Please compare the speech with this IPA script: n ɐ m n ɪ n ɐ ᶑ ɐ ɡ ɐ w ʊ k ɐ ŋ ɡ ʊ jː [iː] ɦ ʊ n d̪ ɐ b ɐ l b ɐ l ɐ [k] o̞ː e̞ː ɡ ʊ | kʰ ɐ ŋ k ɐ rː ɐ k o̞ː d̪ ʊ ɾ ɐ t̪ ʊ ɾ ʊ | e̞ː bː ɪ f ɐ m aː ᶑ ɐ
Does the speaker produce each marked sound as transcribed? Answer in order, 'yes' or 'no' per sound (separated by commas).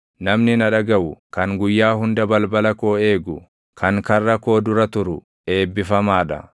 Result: no, yes